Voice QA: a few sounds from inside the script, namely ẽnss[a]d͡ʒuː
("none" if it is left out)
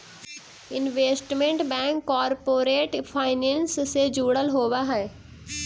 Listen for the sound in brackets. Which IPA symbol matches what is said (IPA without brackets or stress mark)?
e